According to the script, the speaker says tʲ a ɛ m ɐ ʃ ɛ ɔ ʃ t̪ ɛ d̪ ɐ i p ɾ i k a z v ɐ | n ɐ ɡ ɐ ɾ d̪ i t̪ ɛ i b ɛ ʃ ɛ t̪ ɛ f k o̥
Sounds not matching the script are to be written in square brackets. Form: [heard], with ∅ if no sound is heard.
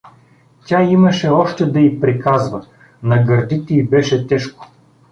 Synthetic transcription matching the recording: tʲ a [i] m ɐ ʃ ɛ ɔ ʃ t̪ ɛ d̪ ɐ i p ɾ i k a z v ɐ | n ɐ ɡ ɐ ɾ d̪ i t̪ ɛ i b ɛ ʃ ɛ t̪ ɛ [ʃ] k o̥